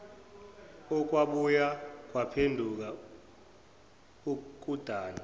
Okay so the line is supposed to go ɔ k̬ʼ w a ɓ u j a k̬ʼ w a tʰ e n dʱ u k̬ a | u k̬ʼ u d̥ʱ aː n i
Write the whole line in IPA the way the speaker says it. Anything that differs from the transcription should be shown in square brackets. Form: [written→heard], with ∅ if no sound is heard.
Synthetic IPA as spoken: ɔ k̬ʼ w a ɓ u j a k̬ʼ w a [tʰ→pʰ] e n dʱ u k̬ a | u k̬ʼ u d̥ʱ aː n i